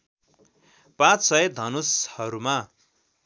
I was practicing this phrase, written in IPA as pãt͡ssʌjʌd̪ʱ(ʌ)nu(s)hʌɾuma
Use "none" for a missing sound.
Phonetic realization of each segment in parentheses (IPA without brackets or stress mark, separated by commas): ʌ, s